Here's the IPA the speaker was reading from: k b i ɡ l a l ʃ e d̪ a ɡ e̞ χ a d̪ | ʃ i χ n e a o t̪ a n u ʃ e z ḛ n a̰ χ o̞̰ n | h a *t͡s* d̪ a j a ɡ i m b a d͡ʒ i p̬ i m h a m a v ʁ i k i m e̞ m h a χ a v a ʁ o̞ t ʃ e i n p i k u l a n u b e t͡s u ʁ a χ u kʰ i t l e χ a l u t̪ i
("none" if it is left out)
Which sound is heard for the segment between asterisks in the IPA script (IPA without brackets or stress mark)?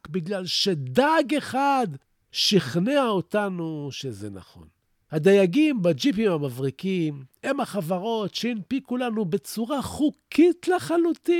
none